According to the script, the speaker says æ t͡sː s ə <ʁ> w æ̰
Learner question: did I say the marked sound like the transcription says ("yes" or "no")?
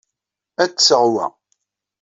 yes